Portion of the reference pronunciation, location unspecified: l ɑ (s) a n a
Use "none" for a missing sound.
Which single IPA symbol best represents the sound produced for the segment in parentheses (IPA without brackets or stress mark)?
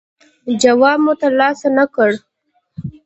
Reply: s